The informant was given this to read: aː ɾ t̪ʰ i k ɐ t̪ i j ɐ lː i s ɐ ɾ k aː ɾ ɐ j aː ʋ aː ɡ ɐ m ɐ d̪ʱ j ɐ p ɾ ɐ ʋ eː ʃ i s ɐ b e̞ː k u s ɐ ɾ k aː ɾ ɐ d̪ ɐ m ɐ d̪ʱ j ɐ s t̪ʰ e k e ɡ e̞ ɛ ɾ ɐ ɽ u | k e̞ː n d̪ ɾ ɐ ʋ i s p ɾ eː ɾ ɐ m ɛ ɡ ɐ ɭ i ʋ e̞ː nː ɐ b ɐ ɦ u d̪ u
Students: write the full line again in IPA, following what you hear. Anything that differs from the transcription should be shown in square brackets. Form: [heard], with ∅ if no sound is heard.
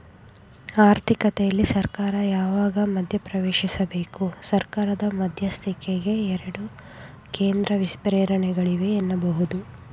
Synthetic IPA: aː ɾ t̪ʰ i k ɐ t̪ [ɛ] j ɐ lː i s ɐ ɾ k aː ɾ ɐ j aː ʋ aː ɡ ɐ m ɐ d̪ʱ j ɐ p ɾ ɐ ʋ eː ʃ i s ɐ b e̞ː k u s ɐ ɾ k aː ɾ ɐ d̪ ɐ m ɐ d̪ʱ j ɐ s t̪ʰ [i] k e ɡ e̞ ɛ ɾ ɐ ɽ u | k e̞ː n d̪ ɾ ɐ ʋ i s p ɾ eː ɾ ɐ [ɳ] ɛ ɡ ɐ ɭ i ʋ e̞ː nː ɐ b ɐ ɦ u d̪ u